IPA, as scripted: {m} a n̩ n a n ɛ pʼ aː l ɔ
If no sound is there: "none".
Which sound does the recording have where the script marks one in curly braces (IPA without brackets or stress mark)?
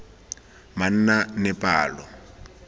m